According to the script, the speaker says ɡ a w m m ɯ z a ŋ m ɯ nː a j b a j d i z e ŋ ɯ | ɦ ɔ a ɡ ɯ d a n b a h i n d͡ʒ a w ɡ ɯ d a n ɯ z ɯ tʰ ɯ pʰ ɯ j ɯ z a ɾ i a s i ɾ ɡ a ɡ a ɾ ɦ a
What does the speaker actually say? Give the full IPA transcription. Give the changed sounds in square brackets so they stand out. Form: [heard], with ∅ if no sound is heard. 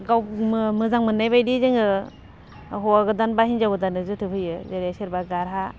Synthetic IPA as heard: ɡ a w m m ɯ z a ŋ m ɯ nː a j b a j d i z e ŋ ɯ | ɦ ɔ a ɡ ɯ d a n b a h i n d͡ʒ a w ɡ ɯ d a n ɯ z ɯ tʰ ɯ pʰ ɯ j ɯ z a ɾ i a s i ɾ [b] a ɡ a ɾ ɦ a